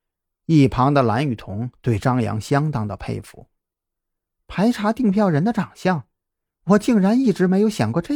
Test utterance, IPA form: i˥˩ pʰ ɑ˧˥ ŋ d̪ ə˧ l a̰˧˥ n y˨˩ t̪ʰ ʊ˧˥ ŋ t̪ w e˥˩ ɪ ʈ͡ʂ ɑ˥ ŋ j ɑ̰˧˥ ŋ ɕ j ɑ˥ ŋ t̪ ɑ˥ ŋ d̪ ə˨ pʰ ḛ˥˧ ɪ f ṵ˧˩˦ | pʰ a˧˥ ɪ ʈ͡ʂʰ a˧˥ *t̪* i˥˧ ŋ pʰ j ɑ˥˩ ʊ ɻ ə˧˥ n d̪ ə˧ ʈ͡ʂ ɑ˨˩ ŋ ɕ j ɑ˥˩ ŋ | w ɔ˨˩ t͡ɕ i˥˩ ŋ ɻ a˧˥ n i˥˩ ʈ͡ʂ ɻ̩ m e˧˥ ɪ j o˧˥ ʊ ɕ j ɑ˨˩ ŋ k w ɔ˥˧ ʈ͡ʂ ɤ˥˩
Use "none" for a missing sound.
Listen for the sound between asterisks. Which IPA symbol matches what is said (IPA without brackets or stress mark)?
t̪